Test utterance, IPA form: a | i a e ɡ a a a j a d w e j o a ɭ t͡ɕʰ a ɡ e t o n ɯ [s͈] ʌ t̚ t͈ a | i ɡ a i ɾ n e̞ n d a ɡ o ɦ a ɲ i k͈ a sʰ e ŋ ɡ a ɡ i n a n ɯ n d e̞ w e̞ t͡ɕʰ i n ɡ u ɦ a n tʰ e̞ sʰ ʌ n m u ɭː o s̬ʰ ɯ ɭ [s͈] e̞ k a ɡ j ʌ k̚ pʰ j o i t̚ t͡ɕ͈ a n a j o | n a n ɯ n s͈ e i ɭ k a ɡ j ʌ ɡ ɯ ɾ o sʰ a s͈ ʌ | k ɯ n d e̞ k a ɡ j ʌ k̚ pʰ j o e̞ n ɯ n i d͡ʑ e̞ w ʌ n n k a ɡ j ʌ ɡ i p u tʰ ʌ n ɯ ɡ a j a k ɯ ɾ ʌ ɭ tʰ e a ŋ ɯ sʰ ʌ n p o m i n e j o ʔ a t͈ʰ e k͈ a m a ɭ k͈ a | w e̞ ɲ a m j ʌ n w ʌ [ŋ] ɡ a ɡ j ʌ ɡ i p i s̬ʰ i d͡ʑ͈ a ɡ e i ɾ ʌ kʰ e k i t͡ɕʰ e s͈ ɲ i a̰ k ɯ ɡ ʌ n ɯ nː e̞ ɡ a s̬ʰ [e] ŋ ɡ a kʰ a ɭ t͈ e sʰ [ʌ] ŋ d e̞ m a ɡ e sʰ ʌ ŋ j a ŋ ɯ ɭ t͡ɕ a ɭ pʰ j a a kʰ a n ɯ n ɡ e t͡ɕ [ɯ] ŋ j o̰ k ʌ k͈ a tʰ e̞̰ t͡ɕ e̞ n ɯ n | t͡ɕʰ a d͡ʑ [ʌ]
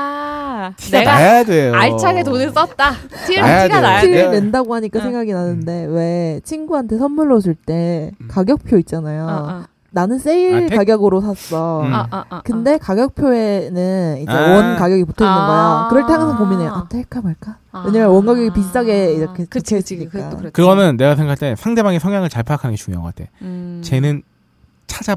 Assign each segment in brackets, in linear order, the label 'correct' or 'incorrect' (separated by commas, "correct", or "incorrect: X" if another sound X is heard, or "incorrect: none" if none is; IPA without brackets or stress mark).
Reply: correct, incorrect: t͈, incorrect: n, correct, incorrect: a, incorrect: u, incorrect: a